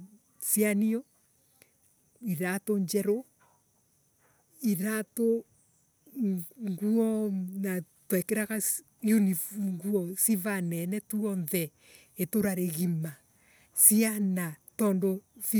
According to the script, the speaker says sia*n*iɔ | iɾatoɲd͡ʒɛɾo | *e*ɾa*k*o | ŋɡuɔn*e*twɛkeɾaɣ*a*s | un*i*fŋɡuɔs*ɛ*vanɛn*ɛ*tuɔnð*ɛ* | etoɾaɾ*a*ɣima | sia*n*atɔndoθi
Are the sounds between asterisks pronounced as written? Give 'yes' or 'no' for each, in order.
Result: yes, no, no, no, yes, yes, no, yes, yes, no, yes

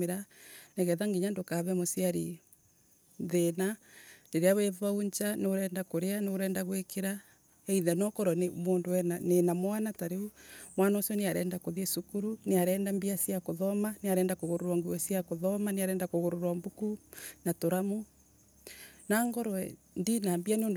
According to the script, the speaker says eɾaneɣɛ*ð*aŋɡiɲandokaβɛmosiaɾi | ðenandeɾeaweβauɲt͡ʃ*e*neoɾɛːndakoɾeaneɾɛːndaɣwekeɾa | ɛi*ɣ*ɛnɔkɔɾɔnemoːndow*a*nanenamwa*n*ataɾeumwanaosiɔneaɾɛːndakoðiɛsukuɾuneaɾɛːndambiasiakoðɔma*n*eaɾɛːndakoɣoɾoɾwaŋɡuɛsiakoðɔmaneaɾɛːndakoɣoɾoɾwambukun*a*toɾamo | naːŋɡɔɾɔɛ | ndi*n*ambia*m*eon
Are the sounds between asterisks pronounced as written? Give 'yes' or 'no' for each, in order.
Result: yes, no, no, no, yes, yes, yes, yes, no

